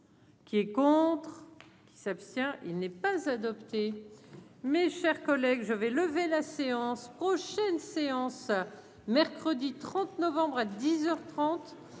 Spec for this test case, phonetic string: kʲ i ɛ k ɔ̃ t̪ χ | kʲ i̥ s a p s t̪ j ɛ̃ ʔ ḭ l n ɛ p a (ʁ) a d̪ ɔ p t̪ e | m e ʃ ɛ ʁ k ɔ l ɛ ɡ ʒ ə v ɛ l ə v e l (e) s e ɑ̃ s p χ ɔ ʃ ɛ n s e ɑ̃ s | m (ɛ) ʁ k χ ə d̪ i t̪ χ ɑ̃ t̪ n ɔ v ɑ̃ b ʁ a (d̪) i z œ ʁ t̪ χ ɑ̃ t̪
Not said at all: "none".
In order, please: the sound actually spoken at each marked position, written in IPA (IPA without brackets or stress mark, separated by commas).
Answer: z, a, ɛ, d̪